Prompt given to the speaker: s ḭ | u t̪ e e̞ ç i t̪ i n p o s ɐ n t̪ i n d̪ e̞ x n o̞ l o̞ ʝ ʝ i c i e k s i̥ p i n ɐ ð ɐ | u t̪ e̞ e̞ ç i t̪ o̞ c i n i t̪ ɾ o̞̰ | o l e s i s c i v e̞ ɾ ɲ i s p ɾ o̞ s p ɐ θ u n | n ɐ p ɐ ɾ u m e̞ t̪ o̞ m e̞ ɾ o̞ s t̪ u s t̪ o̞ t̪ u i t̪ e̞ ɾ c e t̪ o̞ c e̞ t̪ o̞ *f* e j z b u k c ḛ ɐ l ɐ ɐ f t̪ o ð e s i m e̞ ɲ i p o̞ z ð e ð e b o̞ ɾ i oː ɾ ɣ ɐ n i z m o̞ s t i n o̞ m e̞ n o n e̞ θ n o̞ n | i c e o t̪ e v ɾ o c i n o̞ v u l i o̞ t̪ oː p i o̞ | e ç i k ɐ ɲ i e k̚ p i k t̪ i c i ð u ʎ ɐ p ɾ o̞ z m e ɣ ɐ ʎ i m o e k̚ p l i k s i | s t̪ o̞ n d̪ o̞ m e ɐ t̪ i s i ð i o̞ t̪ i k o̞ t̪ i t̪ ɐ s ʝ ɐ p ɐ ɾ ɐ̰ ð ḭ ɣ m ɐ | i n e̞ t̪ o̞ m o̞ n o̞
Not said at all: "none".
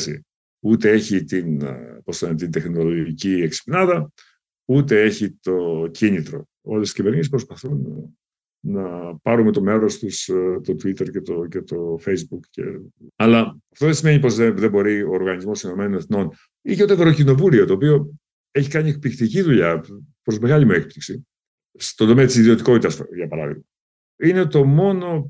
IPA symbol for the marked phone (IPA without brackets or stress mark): f